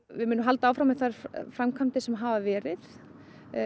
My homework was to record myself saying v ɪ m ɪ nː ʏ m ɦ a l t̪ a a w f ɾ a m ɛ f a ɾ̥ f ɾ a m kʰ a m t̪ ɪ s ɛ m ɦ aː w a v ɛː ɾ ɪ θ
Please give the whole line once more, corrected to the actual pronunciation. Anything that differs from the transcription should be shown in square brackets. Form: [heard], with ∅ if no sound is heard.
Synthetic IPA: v ɪ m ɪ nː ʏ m ɦ a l t̪ a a w f ɾ a m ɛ [θ] a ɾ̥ f ɾ a m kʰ a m t̪ ɪ s ɛ m ɦ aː [v] a v ɛː ɾ ɪ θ